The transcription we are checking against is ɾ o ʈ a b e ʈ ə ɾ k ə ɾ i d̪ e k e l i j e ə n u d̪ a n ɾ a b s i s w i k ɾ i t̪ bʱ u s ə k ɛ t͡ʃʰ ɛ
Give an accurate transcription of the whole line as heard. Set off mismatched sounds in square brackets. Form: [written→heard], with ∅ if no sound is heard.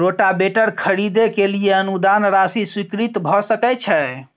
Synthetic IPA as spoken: ɾ o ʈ a b e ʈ ə ɾ [k→kʰ] ə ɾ i d̪ e k e l i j e ə n u d̪ a n ɾ a [b→∅] s i s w i k ɾ i t̪ bʱ [u→ɔ] s ə k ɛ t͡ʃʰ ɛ